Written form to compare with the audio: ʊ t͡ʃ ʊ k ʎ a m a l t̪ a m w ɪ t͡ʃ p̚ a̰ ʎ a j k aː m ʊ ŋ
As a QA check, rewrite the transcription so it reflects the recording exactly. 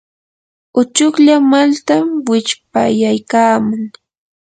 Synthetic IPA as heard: ʊ t͡ʃ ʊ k ʎ a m a l t̪ a m w ɪ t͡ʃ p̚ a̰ j a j k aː m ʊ ŋ